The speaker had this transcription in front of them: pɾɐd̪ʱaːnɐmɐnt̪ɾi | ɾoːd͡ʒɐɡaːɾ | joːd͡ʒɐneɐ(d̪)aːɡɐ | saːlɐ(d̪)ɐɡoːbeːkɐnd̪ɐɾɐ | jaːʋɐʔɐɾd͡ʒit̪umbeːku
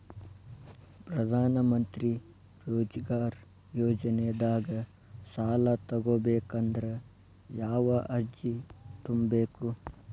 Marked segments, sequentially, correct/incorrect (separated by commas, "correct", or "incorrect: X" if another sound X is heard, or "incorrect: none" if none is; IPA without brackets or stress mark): correct, incorrect: t̪